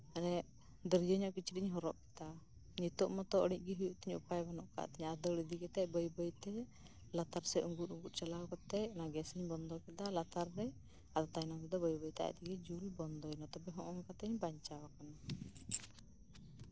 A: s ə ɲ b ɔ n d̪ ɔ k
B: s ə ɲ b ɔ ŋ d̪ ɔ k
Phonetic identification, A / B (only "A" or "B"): A